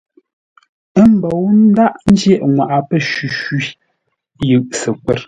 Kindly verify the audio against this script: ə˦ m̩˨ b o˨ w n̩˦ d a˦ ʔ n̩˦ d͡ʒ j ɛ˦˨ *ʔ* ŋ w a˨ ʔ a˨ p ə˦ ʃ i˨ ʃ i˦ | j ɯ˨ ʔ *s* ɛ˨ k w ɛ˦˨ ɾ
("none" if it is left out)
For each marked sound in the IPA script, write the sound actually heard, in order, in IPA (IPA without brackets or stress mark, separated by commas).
ʔ, s